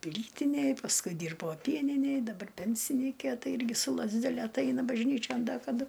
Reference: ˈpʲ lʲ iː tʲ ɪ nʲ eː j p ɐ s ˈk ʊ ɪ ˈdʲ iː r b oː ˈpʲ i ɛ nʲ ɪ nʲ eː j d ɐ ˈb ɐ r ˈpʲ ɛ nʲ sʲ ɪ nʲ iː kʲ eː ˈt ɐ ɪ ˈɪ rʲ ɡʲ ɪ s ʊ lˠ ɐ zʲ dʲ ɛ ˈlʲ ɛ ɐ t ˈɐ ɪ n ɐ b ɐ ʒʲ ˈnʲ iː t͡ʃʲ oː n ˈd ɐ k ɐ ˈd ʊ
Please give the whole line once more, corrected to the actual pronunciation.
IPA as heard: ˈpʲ lʲ iː tʲ ɪ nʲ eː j p ɐ s ˈk ʊ ɪ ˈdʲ iː r b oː ˈpʲ i ɛ nʲ ɪ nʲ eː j d ɐ ˈb ɐ r ˈpʲ ɛ nʲ sʲ ɪ nʲ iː kʲ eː ˈt ɐ ɪ ˈɪ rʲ ɡʲ ɪ s ʊ lˠ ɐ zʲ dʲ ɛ ˈlʲ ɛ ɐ t ˈɐ ɪ n ɐ b ɐ ʒʲ ˈnʲ iː t͡ʃʲ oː n ˈd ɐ k ɐ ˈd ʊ